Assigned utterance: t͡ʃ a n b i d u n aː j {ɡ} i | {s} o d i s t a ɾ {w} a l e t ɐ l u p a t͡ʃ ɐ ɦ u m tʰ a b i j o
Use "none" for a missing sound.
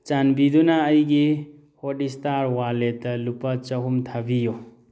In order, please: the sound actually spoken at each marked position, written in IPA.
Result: ɡ, h, w

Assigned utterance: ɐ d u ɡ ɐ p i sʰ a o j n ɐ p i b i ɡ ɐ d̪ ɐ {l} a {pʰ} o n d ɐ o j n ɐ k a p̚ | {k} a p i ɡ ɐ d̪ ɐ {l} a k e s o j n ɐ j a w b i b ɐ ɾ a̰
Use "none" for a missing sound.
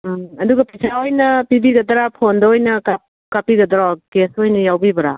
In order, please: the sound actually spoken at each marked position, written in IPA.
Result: ɾ, pʰ, k, ɾ

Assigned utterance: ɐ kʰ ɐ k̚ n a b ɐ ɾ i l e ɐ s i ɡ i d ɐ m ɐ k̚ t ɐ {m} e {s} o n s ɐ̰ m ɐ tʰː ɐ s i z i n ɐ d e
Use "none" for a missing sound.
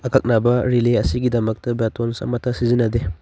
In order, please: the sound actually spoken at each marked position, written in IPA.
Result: b, t

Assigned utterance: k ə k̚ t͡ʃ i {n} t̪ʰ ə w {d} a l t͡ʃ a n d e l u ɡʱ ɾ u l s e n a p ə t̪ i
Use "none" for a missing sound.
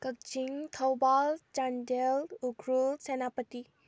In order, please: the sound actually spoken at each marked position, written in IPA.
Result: ŋ, b

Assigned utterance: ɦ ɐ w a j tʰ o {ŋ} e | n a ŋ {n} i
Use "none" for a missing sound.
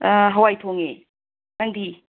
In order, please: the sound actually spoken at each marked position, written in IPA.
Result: ŋ, d

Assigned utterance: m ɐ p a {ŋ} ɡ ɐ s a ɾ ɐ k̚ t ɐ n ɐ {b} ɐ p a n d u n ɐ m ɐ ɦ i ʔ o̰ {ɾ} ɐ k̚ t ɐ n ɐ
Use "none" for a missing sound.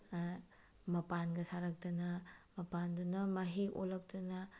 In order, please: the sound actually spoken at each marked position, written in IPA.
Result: n, m, l

